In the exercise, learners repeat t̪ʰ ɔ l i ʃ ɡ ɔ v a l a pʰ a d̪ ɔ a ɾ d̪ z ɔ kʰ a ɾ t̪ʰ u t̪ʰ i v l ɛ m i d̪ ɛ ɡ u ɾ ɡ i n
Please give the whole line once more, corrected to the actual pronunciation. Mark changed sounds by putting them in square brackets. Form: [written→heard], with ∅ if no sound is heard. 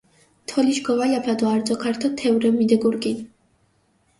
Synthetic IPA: t̪ʰ ɔ l i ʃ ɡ ɔ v a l a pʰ a d̪ ɔ a ɾ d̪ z ɔ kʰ a ɾ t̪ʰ [u→ɔ] t̪ʰ [i→ɛ] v [l→ɾ] ɛ m i d̪ ɛ ɡ u ɾ ɡ i n